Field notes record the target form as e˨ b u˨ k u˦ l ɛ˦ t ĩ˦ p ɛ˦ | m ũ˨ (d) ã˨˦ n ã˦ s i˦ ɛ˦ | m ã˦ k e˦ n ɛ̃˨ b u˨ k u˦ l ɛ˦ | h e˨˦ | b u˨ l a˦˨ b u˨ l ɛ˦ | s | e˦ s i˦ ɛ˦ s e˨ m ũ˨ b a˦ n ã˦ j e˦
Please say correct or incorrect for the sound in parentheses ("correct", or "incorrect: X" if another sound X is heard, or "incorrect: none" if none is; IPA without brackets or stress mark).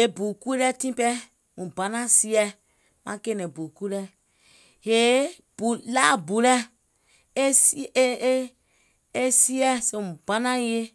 incorrect: b